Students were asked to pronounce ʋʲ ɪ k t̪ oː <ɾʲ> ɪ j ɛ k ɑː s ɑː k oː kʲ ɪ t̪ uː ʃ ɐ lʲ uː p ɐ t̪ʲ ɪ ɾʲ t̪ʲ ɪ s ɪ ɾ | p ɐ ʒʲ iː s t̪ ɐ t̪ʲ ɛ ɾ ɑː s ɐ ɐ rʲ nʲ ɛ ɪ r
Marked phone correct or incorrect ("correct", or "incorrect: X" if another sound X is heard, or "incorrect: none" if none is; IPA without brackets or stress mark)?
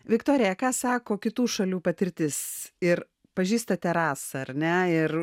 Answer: correct